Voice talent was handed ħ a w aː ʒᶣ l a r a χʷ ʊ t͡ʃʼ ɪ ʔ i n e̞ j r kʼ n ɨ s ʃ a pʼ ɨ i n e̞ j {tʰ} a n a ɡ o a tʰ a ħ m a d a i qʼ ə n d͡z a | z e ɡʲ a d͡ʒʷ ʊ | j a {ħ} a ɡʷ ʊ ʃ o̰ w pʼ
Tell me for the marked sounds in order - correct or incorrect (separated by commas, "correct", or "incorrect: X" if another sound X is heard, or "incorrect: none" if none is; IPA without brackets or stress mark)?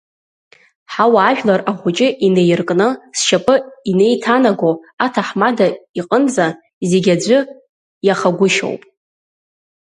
correct, incorrect: χ